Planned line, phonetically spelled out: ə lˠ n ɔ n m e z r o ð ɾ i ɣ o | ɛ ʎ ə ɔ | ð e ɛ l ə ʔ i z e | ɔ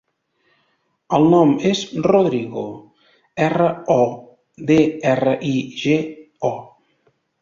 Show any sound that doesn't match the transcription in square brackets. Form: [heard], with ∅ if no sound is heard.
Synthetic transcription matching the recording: ə lˠ n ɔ [∅] m e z r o ð ɾ i ɣ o | ɛ [r] ə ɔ | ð e ɛ [r] ə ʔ i [ʒ] e | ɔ

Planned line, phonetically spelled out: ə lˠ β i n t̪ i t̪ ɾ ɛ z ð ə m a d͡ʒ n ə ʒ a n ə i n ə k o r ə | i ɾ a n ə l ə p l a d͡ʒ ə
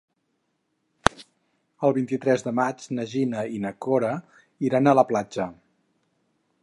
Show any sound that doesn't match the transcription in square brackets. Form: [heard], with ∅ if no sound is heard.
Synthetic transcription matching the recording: ə lˠ β i n t̪ i t̪ ɾ ɛ z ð ə m a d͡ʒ n ə ʒ [i] n ə i n ə k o [ɾ] ə | i ɾ a n ə l ə p l a d͡ʒ ə

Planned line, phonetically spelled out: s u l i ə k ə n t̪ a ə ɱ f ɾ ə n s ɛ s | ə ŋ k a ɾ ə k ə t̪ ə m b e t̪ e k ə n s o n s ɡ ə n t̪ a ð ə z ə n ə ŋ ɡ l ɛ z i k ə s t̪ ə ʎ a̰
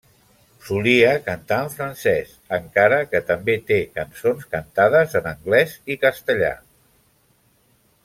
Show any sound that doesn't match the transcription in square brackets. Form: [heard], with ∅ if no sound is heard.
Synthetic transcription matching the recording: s u l i ə k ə n t̪ a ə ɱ f ɾ ə n s ɛ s | ə ŋ k a ɾ ə k ə t̪ ə m b e t̪ e k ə n s o n s [k] ə n t̪ a ð ə z ə n ə ŋ ɡ l ɛ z i k ə s t̪ ə ʎ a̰

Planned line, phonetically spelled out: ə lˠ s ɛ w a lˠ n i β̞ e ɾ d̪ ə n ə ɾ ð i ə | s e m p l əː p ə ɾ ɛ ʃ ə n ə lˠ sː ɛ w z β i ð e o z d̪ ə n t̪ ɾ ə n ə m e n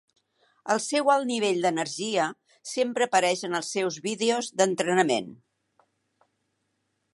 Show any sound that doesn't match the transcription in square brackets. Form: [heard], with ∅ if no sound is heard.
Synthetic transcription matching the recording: ə lˠ s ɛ w a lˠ n i β̞ e [ʎ] d̪ ə n ə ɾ [ʒ] i ə | s e m p [ɾ] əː p ə ɾ ɛ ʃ ə n ə lˠ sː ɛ w z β i ð e o z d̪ ə n t̪ ɾ ə n ə m e n

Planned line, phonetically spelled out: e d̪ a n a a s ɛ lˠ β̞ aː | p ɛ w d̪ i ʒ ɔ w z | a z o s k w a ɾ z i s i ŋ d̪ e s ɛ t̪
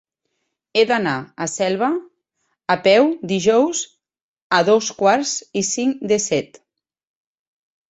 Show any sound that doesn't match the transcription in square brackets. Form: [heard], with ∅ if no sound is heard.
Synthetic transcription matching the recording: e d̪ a n a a s ɛ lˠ β̞ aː | p ɛ w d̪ i ʒ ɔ w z | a [ð] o s k w a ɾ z i s i ŋ d̪ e s ɛ t̪

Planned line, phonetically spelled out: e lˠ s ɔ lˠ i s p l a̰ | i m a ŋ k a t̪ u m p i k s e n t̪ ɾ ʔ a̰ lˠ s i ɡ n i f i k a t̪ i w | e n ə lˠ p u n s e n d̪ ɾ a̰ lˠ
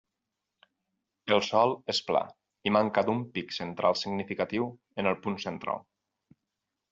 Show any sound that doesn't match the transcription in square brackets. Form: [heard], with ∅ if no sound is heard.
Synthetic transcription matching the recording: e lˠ s ɔ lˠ [e] s p l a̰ | i m a ŋ k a [d̪] u m p i k s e n t̪ ɾ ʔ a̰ lˠ s i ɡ n i f i k a t̪ i w | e n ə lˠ p u n s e n [t̪] ɾ a̰ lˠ

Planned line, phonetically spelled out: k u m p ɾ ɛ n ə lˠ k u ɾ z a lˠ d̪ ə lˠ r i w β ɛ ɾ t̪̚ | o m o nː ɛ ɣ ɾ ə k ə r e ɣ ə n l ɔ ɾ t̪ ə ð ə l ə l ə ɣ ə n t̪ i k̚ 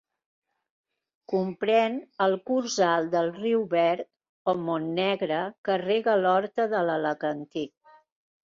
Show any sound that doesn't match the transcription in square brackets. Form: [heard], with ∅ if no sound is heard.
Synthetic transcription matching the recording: k u m p ɾ ɛ n ə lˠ k u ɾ z a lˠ d̪ ə lˠ r i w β ɛ ɾ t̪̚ | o m o nː ɛ ɣ ɾ ə k ə r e ɣ ə [∅] l ɔ ɾ t̪ ə ð ə l ə l ə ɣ ə n t̪ i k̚

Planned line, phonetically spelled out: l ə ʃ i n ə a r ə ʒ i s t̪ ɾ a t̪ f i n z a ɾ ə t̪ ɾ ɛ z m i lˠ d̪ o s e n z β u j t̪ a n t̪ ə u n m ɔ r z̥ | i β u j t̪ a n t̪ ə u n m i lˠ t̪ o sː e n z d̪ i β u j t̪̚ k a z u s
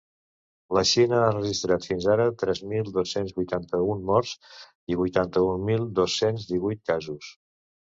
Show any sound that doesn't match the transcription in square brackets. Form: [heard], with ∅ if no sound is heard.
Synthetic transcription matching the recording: l ə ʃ i n ə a r ə ʒ i s t̪ ɾ a t̪ f i n z a ɾ ə t̪ ɾ ɛ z m i lˠ d̪ o s e n z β u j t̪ a n t̪ ə u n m ɔ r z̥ | i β u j t̪ a n t̪ ə u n m i lˠ [d̪] o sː e n z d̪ i β u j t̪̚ k a z u s

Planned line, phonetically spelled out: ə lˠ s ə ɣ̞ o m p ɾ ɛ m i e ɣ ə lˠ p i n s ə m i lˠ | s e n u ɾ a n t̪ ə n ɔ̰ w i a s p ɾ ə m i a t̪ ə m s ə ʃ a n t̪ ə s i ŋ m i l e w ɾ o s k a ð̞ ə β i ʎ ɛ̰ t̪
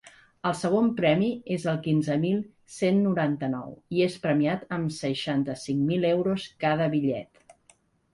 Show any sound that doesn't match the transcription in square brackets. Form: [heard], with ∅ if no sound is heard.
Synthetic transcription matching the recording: ə lˠ s ə ɣ̞ o m p ɾ ɛ m i e [z] ə lˠ [k] i n [z] ə m i lˠ | s e [nː] u ɾ a n t̪ ə n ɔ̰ w i [e] s p ɾ ə m i a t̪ ə m s ə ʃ a n t̪ ə s i ŋ m i l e w ɾ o s k a ð̞ ə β i ʎ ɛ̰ t̪

